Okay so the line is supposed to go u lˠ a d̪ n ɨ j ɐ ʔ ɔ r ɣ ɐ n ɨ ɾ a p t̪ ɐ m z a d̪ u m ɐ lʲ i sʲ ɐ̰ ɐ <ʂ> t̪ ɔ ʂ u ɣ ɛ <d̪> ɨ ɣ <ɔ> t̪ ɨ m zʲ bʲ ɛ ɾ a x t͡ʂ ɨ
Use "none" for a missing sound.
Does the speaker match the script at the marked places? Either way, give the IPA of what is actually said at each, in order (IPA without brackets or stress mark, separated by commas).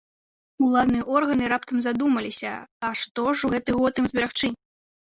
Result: ʂ, t̪, ɔ